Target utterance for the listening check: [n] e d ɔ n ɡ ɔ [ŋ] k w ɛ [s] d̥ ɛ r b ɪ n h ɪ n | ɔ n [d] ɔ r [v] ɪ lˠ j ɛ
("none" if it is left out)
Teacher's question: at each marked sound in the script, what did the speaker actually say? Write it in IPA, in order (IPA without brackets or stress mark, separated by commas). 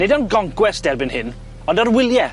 n, ŋ, s, d, w